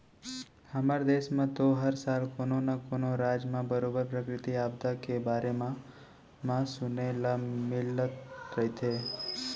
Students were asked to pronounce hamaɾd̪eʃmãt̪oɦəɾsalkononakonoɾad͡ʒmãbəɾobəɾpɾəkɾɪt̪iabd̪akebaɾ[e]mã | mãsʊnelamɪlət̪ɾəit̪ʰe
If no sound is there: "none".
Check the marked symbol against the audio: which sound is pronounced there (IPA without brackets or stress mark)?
e